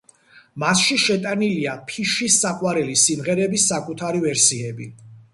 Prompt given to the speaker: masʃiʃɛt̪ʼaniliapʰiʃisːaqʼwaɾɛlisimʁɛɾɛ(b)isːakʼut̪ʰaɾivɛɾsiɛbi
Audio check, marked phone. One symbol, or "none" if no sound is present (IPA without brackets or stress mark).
b